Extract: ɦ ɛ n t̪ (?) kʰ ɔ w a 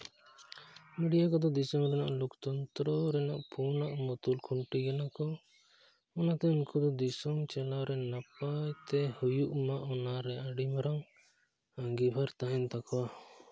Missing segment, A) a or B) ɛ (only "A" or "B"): A